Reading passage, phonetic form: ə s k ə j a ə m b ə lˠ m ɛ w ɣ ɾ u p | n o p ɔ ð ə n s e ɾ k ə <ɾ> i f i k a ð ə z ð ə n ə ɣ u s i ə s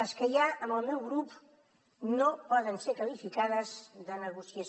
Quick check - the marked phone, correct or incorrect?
incorrect: l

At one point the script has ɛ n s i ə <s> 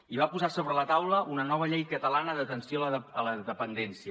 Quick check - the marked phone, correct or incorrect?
incorrect: none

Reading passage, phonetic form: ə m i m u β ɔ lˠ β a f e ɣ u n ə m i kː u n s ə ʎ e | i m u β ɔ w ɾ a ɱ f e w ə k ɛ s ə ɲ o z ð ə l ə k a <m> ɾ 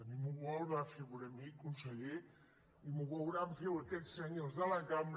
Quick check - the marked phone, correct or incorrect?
correct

